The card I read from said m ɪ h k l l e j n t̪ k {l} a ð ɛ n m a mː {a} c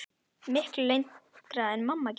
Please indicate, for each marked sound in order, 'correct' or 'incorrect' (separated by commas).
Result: incorrect, correct